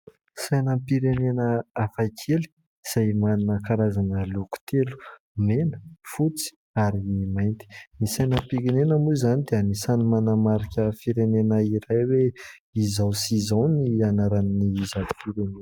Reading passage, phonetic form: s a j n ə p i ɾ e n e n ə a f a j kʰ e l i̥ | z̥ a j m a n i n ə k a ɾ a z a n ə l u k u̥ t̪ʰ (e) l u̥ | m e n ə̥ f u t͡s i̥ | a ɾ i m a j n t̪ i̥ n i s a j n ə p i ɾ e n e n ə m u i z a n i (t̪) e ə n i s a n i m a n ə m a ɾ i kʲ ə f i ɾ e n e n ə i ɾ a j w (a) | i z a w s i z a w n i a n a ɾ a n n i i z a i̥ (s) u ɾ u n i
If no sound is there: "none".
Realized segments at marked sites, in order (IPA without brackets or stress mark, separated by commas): e, d̪, e, f